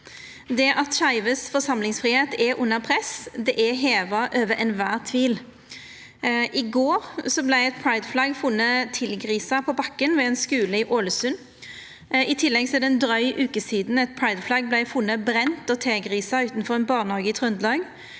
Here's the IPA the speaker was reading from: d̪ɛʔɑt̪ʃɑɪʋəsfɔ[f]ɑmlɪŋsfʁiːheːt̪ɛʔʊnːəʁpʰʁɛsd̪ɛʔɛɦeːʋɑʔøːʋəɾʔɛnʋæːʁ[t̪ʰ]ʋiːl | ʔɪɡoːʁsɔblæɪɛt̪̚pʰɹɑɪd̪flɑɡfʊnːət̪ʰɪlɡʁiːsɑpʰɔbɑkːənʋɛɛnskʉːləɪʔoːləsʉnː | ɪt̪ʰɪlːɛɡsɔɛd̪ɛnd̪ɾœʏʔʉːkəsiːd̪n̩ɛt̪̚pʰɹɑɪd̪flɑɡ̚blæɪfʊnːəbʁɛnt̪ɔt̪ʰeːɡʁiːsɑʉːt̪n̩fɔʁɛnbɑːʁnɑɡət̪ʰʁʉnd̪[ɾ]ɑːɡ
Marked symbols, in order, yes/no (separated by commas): no, yes, no